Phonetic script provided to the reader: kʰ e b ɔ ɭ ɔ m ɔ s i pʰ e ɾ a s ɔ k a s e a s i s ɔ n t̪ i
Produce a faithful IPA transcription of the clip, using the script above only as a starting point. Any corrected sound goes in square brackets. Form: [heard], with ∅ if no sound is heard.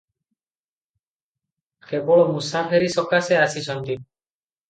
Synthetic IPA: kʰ e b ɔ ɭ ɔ m [u] s [a] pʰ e ɾ [i] s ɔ k a s e a s i s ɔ n t̪ i

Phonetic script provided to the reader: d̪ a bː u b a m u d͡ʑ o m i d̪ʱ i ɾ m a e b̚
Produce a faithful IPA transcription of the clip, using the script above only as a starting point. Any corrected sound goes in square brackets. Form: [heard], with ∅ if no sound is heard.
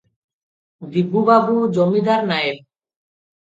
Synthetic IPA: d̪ [i] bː u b a [b] u d͡ʑ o m i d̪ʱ [a] ɾ [n] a e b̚

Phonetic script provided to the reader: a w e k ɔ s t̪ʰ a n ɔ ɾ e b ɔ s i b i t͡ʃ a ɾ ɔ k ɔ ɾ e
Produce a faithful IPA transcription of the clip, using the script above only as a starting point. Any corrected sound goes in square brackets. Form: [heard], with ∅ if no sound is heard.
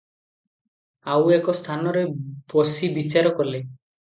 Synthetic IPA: a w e k ɔ s t̪ʰ a n ɔ ɾ e b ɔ s i b i t͡ʃ a ɾ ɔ k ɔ [l] e

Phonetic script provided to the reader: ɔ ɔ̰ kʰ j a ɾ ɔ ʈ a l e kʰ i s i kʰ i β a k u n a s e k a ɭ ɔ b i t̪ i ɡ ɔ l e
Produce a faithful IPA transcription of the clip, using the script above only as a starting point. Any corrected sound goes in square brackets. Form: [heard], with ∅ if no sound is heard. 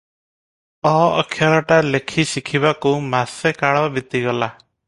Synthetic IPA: ɔ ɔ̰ kʰ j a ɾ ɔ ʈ a l e kʰ i s i kʰ i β a k u [m] a s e k a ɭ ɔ b i t̪ i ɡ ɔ l [a]

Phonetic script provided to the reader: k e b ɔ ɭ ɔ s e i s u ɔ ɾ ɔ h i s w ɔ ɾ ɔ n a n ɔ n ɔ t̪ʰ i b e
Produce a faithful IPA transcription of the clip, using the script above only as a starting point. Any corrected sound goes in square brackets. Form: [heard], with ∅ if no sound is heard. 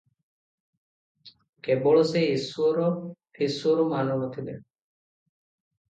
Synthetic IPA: k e b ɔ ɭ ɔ s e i s u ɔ ɾ ɔ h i s [u] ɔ ɾ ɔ [m] a n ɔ n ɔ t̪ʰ i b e

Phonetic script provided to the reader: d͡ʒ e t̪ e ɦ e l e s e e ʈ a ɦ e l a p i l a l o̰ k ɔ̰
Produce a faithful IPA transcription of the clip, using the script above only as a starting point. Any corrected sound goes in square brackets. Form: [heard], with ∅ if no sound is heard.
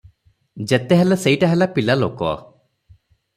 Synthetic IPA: d͡ʒ e t̪ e ɦ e l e s e [i] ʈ a ɦ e l a p i l a l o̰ k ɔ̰

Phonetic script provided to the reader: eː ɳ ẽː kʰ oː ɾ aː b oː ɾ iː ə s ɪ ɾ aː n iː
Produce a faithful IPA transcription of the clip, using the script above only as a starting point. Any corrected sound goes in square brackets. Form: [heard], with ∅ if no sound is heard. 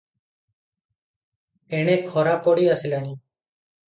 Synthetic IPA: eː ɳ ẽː kʰ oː ɾ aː [p] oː [ɽ] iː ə s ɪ [l] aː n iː

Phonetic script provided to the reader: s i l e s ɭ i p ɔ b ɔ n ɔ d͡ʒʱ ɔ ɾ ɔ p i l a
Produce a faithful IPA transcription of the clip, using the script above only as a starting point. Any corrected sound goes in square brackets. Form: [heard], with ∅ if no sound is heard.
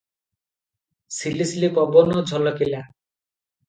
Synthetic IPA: s i l [i] s [l] i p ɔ b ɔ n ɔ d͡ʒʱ ɔ [l] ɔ [k] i l a

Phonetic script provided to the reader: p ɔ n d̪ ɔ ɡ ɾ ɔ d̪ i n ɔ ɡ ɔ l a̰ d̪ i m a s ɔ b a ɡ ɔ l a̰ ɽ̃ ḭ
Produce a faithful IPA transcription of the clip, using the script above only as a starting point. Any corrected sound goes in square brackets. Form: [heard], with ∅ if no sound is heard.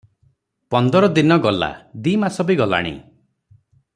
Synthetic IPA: p ɔ n d̪ ɔ [∅] ɾ ɔ d̪ i n ɔ ɡ ɔ l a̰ d̪ i m a s ɔ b [i] ɡ ɔ l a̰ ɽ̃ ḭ

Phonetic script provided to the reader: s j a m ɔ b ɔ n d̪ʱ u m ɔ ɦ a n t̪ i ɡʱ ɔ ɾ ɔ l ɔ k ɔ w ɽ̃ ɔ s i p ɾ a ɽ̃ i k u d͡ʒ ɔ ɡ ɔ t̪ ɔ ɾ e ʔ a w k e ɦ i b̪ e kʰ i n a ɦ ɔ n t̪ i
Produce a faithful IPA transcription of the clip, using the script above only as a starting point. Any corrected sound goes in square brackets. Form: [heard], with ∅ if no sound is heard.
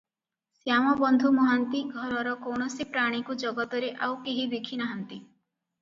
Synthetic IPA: s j a m ɔ b ɔ n d̪ʱ u m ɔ ɦ a n t̪ i ɡʱ ɔ ɾ ɔ [ɾ] ɔ k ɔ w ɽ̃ ɔ s i p ɾ a ɽ̃ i k u d͡ʒ ɔ ɡ ɔ t̪ ɔ ɾ e ʔ a w k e ɦ i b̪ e kʰ i n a ɦ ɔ n t̪ i

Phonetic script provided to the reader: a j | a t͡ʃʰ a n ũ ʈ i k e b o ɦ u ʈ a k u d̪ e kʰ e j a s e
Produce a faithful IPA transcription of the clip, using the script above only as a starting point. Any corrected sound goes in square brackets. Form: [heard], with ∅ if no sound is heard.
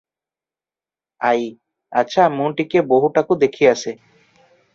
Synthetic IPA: a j | a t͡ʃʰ a [m] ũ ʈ i k e b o ɦ u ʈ a k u d̪ e kʰ [i] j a s e

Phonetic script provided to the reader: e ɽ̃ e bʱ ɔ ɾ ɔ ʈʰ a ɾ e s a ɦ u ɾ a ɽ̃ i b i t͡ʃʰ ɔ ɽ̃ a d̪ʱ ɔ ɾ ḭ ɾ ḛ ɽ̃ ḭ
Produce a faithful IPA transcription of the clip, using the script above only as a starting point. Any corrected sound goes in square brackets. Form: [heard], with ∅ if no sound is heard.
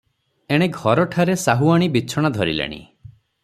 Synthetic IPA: e ɽ̃ e [ɡʱ] ɔ ɾ ɔ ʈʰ a ɾ e s a ɦ u [∅] a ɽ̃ i b i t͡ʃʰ ɔ ɽ̃ a d̪ʱ ɔ ɾ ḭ [l] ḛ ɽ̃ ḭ

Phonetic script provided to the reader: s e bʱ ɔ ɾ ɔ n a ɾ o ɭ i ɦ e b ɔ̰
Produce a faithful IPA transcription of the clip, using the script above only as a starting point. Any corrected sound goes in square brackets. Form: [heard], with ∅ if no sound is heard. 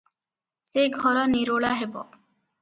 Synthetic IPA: s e [ɡʱ] ɔ ɾ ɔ n [i] ɾ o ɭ [a] ɦ e b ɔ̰

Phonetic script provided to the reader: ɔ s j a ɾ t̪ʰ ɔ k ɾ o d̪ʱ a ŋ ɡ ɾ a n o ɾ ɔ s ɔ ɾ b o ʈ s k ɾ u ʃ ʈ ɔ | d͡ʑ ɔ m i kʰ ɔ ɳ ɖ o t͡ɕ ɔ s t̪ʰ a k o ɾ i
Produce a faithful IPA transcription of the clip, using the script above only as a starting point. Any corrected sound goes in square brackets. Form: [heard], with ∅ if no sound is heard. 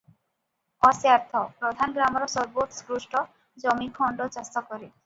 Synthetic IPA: ɔ s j a ɾ t̪ʰ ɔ [p] ɾ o d̪ʱ a [n] ɡ ɾ a [m] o ɾ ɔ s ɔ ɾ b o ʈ s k ɾ u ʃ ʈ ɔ | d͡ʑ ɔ m i kʰ ɔ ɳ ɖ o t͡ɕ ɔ s [t̪] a k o ɾ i

